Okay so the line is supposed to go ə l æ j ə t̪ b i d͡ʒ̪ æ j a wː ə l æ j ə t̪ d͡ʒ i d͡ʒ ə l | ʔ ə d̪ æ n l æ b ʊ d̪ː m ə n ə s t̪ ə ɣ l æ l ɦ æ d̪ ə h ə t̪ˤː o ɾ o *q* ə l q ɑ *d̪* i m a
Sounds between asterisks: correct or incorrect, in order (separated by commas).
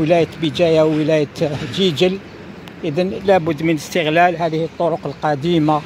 correct, correct